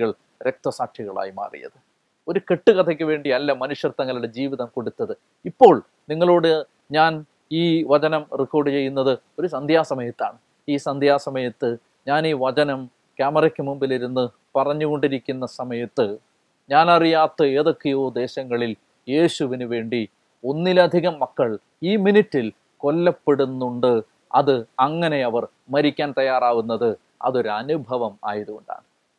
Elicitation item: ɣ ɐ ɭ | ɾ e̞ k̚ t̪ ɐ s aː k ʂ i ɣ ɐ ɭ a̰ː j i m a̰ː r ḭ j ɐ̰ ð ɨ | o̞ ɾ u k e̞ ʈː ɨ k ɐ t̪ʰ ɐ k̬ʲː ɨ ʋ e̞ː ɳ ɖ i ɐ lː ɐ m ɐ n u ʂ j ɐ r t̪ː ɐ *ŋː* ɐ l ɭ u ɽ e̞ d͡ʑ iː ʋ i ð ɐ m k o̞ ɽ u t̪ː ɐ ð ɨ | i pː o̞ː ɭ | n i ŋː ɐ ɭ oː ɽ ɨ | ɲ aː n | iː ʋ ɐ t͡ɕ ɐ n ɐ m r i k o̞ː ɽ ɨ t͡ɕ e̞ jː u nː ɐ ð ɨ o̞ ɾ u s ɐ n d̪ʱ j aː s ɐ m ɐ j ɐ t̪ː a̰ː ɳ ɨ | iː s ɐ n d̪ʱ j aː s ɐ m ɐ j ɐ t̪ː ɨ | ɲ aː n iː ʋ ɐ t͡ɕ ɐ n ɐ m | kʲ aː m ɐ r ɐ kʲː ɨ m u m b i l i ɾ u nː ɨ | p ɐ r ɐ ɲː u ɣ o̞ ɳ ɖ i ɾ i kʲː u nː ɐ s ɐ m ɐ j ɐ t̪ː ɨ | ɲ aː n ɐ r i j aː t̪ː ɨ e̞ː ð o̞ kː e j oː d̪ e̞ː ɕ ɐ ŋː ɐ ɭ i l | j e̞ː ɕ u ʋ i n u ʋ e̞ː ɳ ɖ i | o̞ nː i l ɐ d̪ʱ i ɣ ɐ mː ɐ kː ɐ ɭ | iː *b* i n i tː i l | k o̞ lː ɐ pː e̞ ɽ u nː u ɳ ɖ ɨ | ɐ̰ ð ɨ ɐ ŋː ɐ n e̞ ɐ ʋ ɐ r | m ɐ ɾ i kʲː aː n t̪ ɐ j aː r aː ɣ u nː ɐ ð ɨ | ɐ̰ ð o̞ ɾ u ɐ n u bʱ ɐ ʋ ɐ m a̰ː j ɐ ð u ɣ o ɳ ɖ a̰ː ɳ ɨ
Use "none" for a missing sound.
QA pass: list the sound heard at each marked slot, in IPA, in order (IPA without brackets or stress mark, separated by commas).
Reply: ŋː, m